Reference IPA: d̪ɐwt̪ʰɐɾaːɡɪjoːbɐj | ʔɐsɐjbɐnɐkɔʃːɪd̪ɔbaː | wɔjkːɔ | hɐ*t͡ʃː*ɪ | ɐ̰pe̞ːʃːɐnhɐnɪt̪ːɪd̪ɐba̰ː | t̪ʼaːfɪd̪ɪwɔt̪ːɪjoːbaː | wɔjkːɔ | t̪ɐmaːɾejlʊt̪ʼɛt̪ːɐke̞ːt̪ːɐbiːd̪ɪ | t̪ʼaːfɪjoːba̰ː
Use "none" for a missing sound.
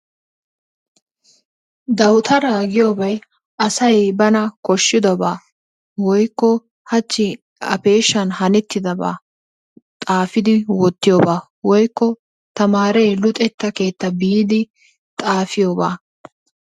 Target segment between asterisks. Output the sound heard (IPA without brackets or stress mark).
t͡ʃː